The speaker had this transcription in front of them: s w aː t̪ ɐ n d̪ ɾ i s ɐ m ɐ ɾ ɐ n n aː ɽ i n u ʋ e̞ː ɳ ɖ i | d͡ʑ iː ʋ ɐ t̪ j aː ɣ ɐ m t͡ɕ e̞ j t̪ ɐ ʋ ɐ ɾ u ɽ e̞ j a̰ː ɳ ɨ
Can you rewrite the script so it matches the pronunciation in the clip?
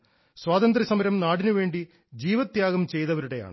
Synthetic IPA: s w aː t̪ ɐ n d̪ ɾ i s ɐ m ɐ ɾ ɐ m n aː ɽ i n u ʋ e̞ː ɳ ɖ i | d͡ʑ iː ʋ ɐ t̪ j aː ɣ ɐ m t͡ɕ e̞ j t̪ ɐ ʋ ɐ ɾ u ɽ e̞ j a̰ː ɳ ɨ